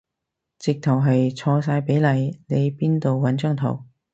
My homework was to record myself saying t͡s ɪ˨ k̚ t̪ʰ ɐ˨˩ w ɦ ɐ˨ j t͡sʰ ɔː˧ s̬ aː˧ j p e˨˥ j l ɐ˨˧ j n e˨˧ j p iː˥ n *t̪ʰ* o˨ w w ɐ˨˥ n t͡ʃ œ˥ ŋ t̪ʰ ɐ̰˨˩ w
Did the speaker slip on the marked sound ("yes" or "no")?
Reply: yes